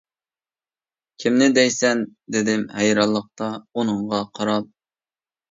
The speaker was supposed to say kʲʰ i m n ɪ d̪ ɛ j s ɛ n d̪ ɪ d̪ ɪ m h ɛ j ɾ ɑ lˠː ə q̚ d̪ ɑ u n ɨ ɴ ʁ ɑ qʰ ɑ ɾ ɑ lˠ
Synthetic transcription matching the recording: kʲʰ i m n ɪ d̪ ɛ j s ɛ n d̪ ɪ d̪ ɪ m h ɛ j ɾ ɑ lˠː ə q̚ t̪ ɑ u n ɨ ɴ ʁ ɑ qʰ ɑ ɾ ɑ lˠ